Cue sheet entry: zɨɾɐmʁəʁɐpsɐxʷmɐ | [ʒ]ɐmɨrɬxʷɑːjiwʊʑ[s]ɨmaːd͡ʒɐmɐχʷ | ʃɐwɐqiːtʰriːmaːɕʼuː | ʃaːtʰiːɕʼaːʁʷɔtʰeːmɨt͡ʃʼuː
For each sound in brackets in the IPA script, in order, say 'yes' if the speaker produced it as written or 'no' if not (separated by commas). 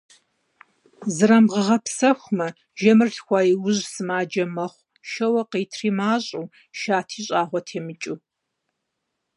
yes, yes